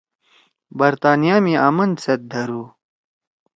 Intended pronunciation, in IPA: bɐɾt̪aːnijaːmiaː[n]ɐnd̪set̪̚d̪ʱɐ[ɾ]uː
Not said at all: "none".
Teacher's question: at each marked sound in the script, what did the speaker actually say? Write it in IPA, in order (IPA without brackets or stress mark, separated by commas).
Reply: m, ɾ